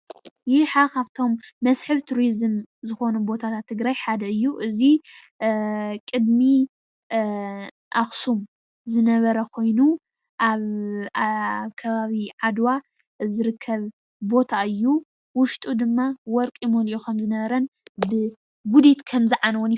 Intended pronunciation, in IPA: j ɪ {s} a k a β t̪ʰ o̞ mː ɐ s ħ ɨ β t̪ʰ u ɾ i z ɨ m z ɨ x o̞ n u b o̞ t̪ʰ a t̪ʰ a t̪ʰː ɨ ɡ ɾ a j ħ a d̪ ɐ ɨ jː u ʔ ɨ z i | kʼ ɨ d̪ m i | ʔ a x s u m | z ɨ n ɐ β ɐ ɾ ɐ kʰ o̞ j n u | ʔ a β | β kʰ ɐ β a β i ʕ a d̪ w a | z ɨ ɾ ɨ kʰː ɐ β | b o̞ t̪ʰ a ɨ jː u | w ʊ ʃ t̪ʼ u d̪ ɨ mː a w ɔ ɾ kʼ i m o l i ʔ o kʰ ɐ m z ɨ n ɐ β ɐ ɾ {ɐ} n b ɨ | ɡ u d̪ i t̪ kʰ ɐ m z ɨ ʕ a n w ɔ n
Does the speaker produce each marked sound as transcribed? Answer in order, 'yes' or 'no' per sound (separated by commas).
no, yes